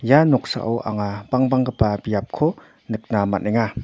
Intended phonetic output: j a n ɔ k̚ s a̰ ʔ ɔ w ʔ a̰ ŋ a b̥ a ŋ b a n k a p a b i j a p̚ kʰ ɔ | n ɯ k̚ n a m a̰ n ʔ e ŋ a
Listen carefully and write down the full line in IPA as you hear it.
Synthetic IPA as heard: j a n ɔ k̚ s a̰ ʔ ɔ w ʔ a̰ ŋ a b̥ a ŋ b a ŋ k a p a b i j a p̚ kʰ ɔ | n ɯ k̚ n a m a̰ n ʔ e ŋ a